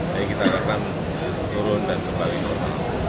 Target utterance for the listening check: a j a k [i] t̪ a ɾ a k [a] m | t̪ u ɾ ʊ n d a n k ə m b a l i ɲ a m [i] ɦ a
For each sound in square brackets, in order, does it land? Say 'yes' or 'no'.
yes, yes, no

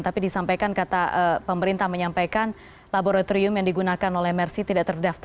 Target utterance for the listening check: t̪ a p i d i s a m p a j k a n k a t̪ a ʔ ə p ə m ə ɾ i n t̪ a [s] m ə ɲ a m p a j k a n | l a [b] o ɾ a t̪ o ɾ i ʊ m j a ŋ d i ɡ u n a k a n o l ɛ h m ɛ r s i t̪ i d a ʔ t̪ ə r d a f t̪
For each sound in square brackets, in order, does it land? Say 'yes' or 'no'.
no, yes

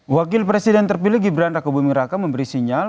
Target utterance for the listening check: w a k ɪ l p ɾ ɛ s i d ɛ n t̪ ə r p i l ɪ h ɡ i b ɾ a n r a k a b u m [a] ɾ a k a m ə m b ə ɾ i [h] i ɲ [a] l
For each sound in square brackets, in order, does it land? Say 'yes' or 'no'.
no, no, yes

